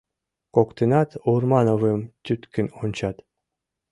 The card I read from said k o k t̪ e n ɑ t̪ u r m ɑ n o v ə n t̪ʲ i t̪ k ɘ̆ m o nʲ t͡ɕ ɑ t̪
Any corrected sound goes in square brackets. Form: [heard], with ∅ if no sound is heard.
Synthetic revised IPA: k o k t̪ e n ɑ t̪ u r m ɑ n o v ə [m] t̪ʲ [y] t̪ k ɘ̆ [n] o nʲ t͡ɕ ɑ t̪